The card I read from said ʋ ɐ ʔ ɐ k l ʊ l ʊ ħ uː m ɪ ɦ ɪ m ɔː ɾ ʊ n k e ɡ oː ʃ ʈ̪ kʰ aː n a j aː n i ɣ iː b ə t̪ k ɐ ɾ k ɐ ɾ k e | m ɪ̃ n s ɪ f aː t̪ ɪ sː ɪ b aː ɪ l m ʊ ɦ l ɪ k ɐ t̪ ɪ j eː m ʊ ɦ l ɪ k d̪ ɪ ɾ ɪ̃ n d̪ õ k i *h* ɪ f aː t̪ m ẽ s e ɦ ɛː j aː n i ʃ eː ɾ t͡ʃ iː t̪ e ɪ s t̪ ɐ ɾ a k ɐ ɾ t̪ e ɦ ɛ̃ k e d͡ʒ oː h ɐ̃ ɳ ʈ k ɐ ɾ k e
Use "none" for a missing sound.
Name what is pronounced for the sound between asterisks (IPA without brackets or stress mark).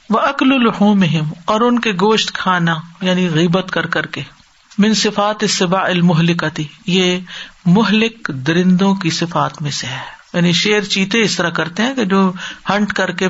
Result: s